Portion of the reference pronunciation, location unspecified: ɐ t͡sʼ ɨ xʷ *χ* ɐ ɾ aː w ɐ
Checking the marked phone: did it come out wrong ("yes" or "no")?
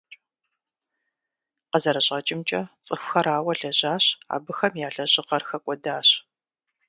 yes